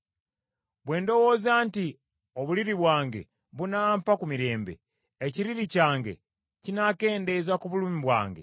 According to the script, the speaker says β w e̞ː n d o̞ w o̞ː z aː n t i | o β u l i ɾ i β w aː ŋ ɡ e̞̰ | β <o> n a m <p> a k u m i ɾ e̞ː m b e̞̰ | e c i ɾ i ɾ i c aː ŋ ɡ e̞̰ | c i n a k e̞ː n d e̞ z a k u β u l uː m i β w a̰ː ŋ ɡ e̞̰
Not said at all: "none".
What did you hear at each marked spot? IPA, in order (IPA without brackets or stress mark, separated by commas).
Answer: u, p